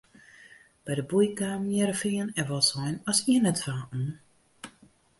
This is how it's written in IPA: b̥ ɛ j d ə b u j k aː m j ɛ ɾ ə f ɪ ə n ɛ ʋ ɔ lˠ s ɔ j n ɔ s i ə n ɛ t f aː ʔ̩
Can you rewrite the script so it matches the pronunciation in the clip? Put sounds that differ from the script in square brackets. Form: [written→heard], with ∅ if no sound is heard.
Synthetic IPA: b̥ ɛ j d ə b u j k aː m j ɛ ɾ ə f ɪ ə n ɛ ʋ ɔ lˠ s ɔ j n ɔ s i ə n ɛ t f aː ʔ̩